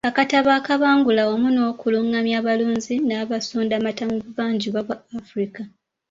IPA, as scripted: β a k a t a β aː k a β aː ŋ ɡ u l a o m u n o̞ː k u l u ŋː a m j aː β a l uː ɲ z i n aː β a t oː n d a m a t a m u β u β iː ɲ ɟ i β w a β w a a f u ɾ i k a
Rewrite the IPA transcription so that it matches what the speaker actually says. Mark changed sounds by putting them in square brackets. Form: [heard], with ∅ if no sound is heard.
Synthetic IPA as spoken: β a k a t a β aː k a β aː ŋ ɡ u l a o m u n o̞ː k u l u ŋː a m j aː β a l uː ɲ z i n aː β a [s] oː n d a m a t a m u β u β [aː] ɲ ɟ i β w a β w a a f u ɾ i k a